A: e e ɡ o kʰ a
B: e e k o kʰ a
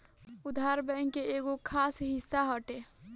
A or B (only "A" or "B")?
A